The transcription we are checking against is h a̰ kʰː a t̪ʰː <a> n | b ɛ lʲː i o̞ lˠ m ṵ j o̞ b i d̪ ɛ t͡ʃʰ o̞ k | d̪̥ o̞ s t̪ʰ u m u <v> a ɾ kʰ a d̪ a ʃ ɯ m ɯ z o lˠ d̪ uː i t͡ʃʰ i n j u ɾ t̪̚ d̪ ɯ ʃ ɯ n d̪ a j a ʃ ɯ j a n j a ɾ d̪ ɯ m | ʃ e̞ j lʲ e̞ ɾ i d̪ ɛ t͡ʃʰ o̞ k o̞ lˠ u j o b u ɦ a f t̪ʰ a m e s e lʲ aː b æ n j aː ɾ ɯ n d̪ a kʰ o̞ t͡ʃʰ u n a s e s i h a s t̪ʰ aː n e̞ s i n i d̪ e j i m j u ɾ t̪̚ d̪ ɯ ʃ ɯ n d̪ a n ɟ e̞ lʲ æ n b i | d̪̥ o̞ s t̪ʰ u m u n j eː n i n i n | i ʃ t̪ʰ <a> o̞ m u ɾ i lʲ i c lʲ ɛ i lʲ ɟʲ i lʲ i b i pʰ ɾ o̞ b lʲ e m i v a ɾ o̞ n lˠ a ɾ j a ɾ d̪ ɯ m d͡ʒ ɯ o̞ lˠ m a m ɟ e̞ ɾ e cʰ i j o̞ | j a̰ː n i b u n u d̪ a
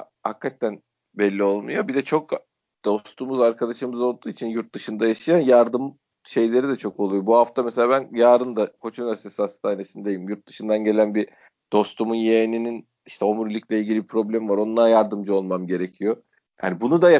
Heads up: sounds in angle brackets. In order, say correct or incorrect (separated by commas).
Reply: incorrect, incorrect, incorrect